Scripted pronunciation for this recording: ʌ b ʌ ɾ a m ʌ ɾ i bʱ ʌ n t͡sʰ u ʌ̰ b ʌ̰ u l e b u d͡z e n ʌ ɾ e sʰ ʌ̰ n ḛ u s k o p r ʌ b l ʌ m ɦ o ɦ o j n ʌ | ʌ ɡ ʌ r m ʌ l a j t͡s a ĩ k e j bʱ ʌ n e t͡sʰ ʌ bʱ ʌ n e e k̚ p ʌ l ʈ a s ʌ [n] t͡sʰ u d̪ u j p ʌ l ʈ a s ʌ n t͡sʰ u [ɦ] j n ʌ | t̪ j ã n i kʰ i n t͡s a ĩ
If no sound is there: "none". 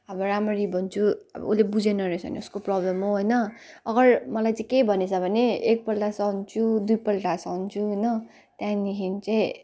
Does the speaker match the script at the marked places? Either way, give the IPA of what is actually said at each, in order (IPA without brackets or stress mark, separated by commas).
n, ɦ